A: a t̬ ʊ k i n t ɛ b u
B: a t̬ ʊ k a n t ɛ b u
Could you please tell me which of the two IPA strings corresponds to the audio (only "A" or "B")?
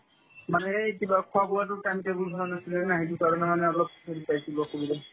B